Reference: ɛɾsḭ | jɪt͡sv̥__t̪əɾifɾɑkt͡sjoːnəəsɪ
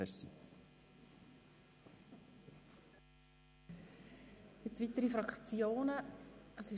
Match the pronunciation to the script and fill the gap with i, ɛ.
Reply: i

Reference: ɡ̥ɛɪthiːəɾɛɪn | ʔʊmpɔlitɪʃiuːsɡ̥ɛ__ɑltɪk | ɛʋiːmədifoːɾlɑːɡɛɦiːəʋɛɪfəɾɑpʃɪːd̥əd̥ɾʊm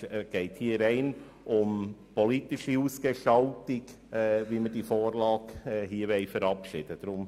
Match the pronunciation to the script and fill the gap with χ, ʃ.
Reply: ʃ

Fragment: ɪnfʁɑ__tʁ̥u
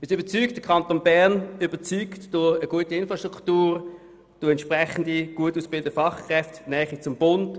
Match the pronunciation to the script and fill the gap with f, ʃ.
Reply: ʃ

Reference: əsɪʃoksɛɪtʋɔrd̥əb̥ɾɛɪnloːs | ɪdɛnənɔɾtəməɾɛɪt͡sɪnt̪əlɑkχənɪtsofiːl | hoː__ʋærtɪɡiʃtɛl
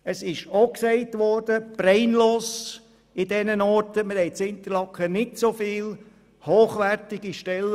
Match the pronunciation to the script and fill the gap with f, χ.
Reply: χ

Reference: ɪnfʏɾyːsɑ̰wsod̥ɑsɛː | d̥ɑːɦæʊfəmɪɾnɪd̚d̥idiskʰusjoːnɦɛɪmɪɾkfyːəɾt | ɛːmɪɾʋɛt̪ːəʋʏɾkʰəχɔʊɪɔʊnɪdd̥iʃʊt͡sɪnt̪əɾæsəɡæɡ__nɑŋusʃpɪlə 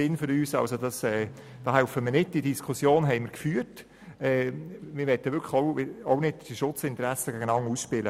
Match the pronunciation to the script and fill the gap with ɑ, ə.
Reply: ə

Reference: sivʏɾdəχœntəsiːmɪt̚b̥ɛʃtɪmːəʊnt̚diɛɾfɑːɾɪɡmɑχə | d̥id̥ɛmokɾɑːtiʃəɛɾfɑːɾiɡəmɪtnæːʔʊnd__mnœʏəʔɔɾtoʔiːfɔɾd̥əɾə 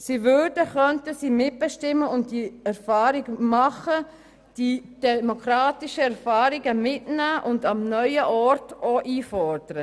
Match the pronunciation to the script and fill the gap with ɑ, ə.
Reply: ɑ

